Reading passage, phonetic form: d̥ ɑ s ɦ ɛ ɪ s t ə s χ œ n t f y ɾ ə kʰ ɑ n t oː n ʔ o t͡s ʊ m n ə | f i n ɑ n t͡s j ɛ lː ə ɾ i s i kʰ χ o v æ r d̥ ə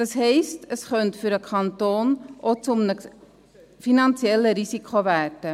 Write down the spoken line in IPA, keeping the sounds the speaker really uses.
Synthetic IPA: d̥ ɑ s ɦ ɛ ɪ s t ə s χ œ n t f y ɾ ə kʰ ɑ n t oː n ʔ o t͡s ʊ m n ə | f i n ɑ n t͡s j ɛ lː ə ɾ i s i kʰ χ o v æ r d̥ ə